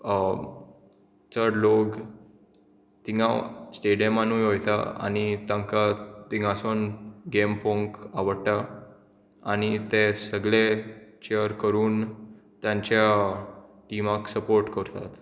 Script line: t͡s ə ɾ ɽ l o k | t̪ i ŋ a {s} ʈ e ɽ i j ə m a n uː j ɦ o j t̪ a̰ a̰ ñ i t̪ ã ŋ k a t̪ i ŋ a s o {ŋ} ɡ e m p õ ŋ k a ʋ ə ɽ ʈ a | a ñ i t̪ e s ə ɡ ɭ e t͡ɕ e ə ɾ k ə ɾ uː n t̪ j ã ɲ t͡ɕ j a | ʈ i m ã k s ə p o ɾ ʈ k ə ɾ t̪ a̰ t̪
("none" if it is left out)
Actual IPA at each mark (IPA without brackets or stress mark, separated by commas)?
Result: s, n